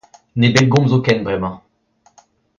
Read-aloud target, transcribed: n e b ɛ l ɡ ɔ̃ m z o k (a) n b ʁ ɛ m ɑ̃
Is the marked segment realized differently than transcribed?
yes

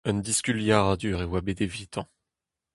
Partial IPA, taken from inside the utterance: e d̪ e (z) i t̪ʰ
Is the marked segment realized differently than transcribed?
yes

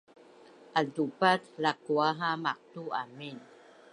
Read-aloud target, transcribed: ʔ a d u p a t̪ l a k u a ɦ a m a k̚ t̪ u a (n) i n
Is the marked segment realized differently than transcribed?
yes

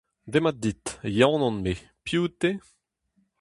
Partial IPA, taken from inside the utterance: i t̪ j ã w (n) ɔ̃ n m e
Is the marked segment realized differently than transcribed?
no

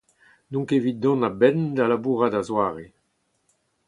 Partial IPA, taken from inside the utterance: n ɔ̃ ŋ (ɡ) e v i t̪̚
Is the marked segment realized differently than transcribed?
yes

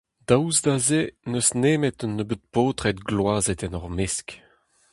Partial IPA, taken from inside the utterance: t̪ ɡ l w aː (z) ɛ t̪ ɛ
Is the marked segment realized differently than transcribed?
no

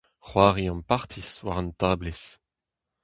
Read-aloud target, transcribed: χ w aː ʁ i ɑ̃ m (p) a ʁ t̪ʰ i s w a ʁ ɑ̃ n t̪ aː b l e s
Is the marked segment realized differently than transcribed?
no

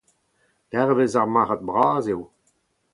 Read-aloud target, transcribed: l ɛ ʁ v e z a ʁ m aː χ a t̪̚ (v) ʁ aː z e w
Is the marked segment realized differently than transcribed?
yes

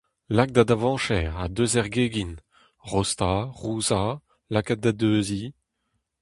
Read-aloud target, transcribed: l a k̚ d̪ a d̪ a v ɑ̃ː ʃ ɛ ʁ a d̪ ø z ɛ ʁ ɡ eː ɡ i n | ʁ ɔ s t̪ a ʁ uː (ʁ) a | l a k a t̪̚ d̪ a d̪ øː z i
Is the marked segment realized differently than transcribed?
yes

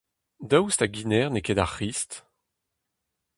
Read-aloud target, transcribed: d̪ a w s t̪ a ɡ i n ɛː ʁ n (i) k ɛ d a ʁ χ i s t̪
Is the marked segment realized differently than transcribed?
yes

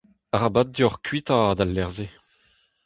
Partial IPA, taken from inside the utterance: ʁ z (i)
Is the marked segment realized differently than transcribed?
yes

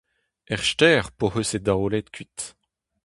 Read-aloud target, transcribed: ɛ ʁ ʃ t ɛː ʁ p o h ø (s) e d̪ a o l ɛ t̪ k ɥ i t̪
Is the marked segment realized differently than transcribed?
no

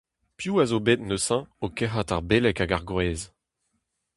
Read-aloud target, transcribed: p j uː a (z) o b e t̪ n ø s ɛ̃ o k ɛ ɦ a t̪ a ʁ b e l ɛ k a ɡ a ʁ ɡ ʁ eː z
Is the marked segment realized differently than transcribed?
no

